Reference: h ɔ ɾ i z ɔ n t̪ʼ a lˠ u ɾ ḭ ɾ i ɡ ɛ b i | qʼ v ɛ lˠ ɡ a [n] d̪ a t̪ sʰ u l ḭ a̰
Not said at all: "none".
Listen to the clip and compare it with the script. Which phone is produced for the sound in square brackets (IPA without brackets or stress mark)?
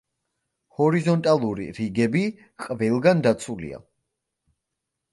n